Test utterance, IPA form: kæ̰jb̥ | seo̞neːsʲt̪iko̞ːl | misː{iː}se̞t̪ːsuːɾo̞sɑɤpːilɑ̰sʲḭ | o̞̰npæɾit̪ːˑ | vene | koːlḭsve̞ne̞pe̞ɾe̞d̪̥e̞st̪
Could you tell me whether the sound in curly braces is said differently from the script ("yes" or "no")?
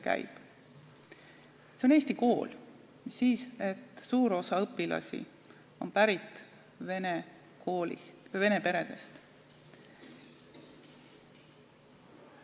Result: no